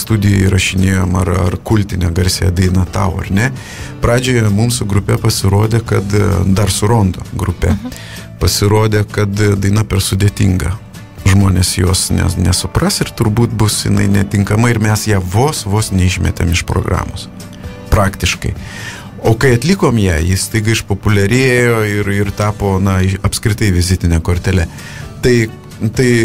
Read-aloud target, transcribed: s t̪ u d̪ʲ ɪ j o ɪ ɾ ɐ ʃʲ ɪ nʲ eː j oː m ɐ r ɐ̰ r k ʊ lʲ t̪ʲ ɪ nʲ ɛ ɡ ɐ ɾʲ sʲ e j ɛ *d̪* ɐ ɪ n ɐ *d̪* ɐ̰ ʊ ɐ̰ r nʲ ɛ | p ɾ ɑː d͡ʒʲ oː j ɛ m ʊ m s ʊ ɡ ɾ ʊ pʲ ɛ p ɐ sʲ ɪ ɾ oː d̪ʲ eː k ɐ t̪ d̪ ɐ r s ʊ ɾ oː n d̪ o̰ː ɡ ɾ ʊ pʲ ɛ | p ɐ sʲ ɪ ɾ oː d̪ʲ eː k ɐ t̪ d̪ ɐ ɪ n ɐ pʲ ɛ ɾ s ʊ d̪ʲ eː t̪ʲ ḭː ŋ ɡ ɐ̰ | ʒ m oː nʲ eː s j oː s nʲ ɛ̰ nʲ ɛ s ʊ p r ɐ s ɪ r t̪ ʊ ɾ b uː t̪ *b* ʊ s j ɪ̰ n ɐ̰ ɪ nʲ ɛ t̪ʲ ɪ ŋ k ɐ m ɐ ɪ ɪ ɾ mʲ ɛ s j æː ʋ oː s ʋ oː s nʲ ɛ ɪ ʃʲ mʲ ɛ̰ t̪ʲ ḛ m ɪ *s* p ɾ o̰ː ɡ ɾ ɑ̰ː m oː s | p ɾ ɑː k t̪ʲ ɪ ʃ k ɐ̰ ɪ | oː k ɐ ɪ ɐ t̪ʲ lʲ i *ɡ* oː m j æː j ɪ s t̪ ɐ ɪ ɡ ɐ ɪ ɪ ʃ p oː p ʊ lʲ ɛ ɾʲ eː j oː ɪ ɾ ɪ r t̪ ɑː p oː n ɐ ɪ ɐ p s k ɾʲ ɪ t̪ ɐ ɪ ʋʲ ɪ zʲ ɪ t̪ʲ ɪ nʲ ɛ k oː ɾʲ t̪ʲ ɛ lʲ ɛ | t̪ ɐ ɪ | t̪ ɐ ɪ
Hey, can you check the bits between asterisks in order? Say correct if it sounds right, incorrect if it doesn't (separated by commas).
correct, incorrect, correct, incorrect, incorrect